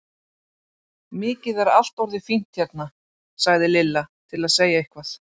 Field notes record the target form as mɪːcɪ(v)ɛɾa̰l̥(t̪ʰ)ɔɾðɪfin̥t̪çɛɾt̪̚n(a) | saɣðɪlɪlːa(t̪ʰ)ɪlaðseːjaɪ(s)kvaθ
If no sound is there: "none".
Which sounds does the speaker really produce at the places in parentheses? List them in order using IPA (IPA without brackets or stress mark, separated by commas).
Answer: ð, t̪, a, t̪ʰ, h